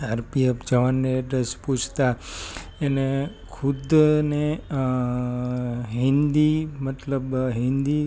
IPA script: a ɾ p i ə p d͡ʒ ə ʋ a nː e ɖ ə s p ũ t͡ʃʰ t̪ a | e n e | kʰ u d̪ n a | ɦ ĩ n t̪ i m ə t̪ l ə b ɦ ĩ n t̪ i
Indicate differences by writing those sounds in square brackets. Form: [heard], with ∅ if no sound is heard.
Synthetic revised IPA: a ɾ p i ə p d͡ʒ ə ʋ a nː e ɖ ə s p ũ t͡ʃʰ t̪ a | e n e | kʰ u d̪ n [e] | ɦ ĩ n [d̪] i m ə t̪ l ə b ɦ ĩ n [d̪] i